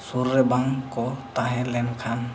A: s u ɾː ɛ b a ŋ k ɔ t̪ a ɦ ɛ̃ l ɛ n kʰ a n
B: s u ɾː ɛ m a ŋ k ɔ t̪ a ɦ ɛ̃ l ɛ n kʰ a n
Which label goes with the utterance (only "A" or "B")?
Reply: A